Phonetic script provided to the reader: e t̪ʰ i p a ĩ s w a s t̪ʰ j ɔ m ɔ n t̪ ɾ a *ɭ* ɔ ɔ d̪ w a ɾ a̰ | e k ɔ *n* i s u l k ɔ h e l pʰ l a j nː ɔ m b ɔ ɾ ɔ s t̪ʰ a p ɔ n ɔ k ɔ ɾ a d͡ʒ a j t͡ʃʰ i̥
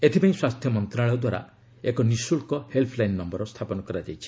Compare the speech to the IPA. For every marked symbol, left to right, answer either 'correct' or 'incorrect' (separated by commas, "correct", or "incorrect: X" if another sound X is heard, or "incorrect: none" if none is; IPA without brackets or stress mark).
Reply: correct, correct